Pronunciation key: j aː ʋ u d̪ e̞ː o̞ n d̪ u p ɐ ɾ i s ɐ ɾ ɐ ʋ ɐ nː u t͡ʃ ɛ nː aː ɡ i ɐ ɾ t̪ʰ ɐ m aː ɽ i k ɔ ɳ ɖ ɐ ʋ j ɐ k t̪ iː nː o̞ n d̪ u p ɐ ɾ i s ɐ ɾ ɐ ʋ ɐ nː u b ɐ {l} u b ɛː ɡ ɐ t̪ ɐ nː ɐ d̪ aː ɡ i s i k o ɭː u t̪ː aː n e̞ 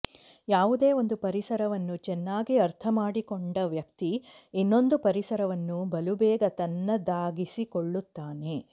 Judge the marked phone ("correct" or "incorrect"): correct